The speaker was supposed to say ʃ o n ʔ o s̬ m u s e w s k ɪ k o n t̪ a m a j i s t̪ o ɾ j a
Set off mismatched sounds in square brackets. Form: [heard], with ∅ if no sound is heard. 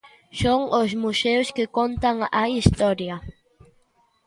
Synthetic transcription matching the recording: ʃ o [ŋ] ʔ o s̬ m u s e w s k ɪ k o n t̪ a [ŋ] a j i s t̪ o ɾ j a

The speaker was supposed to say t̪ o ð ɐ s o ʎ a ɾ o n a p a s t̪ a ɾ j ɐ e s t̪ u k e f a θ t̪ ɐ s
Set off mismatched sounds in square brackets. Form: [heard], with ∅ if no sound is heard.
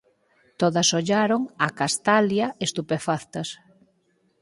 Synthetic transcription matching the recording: t̪ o ð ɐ s o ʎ a ɾ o [ŋ] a [k] a s t̪ a [l] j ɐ e s t̪ u [p] e f a θ t̪ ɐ s

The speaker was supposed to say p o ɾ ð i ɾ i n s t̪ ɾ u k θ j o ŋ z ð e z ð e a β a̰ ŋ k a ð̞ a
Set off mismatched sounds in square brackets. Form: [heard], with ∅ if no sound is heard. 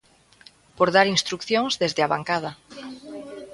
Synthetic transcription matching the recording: p o ɾ ð [a] ɾ i n s t̪ ɾ u k θ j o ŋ z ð e z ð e a β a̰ ŋ k a ð̞ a

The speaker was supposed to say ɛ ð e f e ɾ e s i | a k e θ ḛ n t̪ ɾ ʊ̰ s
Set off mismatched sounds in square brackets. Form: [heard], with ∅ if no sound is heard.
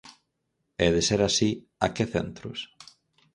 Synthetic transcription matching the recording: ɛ ð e [s] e ɾ [a] s i | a k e θ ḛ n t̪ ɾ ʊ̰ s

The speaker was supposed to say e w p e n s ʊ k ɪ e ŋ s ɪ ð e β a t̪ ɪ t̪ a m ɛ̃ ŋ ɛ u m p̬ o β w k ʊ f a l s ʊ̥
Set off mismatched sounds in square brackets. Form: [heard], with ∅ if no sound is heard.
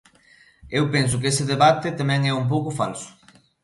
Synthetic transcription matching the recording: e w p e n s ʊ k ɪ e [∅] s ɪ ð e β a t̪ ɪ t̪ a m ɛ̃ ŋ ɛ u m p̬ o [∅] w k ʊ f a l s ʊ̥

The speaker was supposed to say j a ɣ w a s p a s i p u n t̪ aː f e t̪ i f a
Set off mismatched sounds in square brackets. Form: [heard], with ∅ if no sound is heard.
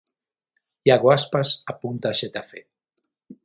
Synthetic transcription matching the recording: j a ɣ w a s p a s [a] p u n t̪ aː [ʃ] e t̪ [a] f [e]

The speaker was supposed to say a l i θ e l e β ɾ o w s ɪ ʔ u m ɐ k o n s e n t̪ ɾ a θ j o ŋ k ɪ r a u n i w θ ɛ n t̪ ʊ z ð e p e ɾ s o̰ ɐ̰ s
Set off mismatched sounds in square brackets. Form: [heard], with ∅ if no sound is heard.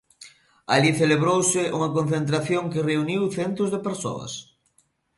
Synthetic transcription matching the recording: a l i θ e l e β ɾ o w s ɪ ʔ u [ŋ] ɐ k o n [θ] e n t̪ ɾ a θ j o ŋ k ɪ r [e] u n i w θ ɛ n t̪ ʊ z ð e p e ɾ s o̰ ɐ̰ s

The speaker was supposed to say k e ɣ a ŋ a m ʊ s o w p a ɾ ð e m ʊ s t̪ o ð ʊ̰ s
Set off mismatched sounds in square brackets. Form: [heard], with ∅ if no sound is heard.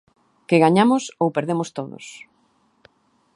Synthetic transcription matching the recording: k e ɣ a [ɲ] a m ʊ s o w p [e] ɾ ð e m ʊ s t̪ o ð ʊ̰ s

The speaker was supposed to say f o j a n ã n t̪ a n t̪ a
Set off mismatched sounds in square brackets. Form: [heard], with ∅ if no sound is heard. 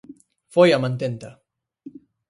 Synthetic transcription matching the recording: f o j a [m] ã n t̪ [e] n t̪ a

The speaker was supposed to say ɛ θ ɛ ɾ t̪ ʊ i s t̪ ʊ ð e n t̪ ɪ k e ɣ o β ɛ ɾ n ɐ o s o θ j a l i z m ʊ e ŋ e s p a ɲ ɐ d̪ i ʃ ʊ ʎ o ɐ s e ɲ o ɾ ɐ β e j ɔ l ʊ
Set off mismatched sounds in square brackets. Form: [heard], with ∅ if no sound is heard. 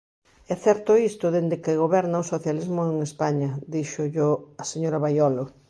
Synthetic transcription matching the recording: ɛ θ ɛ ɾ t̪ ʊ i s t̪ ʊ ð e n [d̪] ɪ k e ɣ o β ɛ ɾ n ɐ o s o θ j a l i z m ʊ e ŋ e s p a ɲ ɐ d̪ i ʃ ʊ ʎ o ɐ s e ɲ o ɾ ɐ β [a] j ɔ l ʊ

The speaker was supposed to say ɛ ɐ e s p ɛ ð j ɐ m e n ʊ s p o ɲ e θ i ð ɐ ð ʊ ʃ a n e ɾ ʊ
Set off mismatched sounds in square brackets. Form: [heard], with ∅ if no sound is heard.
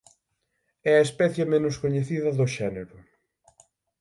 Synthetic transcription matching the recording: ɛ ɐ e s p ɛ [θ] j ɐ m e n ʊ s [k] o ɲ e θ i ð ɐ ð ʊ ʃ [ɛ] n e ɾ ʊ

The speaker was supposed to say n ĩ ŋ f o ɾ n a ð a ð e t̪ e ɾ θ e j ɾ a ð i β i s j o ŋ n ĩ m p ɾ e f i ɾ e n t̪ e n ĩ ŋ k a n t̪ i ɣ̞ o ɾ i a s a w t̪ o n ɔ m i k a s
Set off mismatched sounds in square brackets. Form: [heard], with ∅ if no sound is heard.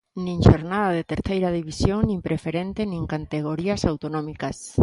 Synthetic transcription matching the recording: n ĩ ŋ [ʃ] o ɾ n a ð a ð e t̪ e ɾ θ e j ɾ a ð i β i s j o ŋ n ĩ m p ɾ e f [e] ɾ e n t̪ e n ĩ ŋ k a n t̪ [e] ɣ̞ o ɾ i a s a w t̪ o n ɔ m i k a s

